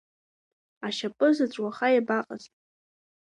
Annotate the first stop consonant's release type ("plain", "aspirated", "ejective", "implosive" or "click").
ejective